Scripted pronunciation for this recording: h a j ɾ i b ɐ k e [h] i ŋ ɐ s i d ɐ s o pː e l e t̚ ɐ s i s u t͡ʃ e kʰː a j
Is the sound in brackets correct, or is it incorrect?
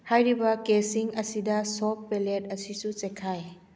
incorrect